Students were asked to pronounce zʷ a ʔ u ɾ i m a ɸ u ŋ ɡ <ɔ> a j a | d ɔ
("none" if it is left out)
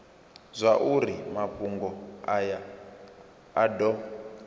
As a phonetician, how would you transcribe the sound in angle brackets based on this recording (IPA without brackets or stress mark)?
ɔ